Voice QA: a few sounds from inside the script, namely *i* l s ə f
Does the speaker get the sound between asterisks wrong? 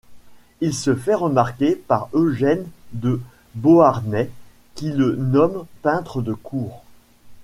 no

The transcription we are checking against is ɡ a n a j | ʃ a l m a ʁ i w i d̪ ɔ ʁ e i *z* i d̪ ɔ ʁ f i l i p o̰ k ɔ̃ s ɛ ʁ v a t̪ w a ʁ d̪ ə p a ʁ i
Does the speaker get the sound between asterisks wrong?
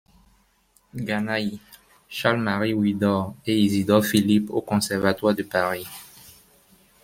no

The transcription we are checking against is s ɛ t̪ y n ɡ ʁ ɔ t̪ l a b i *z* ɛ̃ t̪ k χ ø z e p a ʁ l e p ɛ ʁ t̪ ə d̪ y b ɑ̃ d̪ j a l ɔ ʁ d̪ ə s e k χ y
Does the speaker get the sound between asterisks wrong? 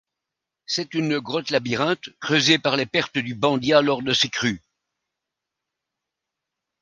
yes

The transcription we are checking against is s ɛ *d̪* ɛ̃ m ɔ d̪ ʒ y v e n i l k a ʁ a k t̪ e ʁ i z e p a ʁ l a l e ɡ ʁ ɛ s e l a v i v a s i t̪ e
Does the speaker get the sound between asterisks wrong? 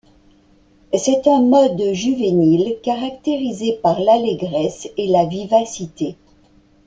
yes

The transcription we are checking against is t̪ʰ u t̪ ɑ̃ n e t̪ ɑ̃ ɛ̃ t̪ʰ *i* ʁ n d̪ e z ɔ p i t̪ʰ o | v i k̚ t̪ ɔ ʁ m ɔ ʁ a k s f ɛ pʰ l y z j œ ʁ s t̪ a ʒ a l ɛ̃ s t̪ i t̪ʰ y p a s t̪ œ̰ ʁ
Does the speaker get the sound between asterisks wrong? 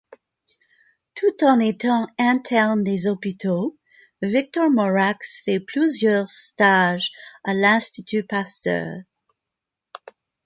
yes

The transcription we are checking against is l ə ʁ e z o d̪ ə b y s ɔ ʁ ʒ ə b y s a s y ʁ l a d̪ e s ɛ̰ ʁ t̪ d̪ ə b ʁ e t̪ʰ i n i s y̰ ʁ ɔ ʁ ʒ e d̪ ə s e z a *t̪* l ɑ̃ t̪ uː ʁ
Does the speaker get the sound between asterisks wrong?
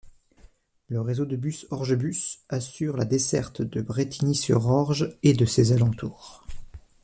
yes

